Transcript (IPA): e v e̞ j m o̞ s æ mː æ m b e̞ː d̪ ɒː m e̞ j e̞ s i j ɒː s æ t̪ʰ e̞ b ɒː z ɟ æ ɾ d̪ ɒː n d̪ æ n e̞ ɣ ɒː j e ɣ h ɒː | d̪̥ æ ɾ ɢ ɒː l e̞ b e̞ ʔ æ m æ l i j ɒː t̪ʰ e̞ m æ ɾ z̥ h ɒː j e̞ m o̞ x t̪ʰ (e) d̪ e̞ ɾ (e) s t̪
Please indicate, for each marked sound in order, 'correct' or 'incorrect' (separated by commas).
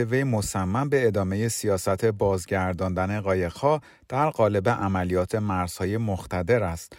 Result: incorrect, incorrect